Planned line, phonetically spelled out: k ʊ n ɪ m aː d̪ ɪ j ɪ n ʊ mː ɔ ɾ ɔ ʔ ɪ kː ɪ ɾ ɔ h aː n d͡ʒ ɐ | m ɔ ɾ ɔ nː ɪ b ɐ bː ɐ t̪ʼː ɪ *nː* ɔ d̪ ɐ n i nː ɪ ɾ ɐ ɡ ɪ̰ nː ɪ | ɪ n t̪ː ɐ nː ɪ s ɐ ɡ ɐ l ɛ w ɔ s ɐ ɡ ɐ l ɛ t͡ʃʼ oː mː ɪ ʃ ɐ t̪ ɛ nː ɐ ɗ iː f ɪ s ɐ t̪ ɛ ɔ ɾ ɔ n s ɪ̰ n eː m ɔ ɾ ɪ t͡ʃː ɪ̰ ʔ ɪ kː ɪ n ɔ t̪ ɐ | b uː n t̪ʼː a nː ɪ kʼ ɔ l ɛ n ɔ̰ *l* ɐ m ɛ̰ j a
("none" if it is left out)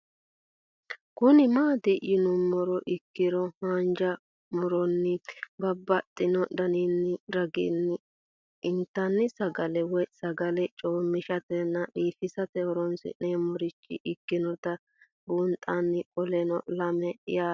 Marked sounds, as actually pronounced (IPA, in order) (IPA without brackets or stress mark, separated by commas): n, l